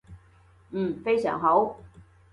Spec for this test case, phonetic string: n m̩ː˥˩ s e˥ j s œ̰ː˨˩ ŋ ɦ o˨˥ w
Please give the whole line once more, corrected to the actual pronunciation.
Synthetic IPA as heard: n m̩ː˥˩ f e˥ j s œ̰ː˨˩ ŋ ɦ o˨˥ w

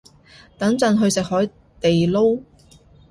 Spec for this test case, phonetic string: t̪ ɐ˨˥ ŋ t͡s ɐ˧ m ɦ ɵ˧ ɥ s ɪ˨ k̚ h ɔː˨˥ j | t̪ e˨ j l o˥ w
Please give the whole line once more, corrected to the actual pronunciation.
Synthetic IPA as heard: t̪ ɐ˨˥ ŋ t͡s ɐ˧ n ɦ ɵ˧ ɥ s ɪ˨ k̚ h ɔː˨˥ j | t̪ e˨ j l o˥ w

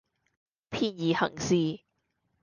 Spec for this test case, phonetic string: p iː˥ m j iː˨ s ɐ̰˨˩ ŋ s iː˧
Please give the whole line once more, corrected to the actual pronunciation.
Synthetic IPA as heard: pʰ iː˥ n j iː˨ h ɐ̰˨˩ ŋ s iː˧

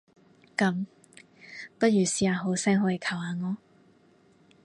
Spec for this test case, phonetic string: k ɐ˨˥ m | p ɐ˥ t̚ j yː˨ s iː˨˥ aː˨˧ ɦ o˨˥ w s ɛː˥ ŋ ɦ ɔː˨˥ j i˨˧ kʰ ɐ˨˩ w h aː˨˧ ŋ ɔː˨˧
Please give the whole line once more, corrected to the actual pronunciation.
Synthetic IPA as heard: k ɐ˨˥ m | p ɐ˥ t̚ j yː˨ s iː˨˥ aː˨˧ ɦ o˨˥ w s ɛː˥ ŋ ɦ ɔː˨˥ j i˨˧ kʰ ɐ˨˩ w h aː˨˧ ŋ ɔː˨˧

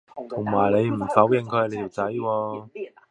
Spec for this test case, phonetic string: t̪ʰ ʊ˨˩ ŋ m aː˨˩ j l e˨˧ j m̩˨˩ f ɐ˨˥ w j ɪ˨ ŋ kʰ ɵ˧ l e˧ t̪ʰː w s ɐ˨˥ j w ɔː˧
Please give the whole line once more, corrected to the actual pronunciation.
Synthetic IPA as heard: t̪ʰ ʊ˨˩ ŋ m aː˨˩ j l e˨˧ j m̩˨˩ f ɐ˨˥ w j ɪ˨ ŋ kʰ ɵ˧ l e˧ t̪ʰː w t͡s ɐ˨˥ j w ɔː˧

